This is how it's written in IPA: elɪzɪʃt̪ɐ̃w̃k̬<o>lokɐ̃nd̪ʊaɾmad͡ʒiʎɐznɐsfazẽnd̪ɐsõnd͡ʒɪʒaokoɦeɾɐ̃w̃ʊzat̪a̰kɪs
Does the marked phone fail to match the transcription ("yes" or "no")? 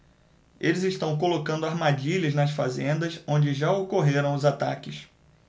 no